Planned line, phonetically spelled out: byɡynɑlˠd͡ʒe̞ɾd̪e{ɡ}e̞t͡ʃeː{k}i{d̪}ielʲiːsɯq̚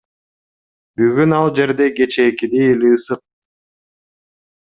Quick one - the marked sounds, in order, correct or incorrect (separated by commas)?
correct, correct, correct